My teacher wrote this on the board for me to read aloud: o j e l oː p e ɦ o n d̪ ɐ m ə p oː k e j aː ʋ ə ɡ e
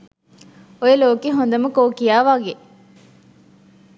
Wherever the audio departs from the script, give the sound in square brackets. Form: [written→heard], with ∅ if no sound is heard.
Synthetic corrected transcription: o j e l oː [p→k] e ɦ o n d̪ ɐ m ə [p→k] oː k [e→i] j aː ʋ [ə→a] ɡ e

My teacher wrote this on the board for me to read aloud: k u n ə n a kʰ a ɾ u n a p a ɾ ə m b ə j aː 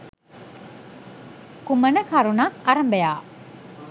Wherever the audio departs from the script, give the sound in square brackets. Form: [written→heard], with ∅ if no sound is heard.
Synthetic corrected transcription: k u [n→m] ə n [a→ə] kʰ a ɾ u n a [p→k] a ɾ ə m b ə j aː

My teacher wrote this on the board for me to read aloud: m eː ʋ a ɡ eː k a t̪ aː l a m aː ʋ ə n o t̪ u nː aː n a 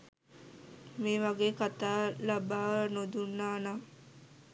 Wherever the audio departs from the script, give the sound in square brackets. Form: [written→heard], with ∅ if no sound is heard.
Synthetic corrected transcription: m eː ʋ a ɡ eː k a t̪ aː l a [m→b] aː ʋ ə n o [t̪→d̪] u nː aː n a

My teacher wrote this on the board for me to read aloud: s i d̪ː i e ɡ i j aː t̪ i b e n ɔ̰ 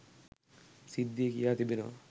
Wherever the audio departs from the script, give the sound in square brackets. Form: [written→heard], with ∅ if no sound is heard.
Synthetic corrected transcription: s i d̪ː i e [ɡ→k] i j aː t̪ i b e n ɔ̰

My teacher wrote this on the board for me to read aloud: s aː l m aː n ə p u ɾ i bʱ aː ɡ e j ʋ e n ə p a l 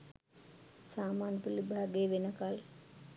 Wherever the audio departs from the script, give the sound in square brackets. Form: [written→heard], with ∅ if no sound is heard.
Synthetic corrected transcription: s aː [l→∅] m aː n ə p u [ɾ→l] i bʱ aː ɡ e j ʋ e n ə [p→k] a l

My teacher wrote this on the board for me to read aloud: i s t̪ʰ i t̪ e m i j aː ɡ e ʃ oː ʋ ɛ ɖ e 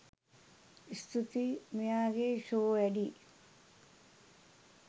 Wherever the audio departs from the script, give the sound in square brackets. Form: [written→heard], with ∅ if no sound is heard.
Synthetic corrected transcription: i s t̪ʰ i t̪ [e→i] m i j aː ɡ e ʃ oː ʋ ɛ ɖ [e→i]

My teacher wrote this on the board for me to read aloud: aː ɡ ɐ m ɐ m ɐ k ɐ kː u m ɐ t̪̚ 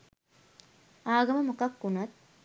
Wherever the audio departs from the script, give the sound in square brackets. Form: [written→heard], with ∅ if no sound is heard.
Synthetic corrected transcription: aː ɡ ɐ m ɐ m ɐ k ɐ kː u [m→n] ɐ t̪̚

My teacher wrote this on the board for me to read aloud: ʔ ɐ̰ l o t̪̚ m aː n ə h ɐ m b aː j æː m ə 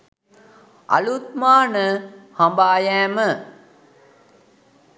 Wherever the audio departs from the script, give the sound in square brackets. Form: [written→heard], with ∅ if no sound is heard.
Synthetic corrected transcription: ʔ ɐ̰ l [o→u] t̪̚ m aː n ə h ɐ m b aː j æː m ə

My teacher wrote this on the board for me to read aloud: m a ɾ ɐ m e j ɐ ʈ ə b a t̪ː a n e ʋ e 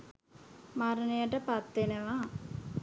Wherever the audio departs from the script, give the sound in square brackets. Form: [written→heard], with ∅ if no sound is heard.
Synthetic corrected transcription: m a ɾ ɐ [m→n] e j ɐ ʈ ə [b→p] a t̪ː [a→e] n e ʋ [e→a]

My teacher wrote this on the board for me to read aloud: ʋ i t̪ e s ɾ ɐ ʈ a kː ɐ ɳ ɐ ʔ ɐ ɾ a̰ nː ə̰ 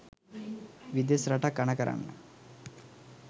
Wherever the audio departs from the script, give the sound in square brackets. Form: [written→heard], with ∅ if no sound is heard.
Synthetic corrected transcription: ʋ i [t̪→d̪] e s ɾ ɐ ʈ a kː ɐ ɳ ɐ [ʔ→k] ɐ ɾ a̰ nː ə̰

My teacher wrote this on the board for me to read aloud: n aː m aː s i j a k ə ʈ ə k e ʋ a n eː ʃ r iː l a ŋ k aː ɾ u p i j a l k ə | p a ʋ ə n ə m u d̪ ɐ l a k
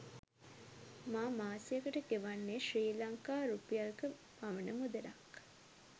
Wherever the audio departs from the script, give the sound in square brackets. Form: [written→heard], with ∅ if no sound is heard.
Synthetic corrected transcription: [n→m] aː m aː s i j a k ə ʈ ə k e ʋ a [n→nː] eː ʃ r iː l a ŋ k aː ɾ u p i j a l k ə | p a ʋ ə n ə m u d̪ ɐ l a k

